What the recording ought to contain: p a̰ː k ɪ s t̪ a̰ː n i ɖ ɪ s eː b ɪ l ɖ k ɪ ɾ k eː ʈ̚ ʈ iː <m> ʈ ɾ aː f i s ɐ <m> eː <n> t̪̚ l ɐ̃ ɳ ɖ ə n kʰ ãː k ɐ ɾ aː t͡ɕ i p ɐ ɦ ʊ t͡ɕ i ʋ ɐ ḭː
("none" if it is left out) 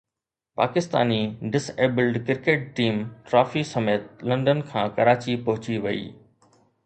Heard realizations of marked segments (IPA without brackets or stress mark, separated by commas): m, m, none